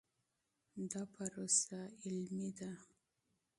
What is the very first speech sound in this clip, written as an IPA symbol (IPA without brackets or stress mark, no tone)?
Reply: d̪